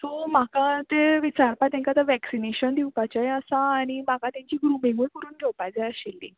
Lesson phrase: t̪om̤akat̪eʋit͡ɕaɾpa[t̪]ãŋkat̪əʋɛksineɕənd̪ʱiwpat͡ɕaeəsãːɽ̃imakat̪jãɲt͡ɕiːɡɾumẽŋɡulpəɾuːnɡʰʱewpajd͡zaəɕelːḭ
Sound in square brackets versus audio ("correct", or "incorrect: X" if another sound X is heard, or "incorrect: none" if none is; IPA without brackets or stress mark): correct